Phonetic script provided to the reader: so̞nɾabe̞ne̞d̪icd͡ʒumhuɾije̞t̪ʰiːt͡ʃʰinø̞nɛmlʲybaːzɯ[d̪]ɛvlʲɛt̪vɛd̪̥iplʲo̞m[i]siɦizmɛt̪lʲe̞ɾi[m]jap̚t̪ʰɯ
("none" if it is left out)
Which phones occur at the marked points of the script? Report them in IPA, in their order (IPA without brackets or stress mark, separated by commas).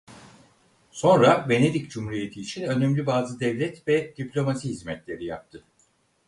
d̪, a, none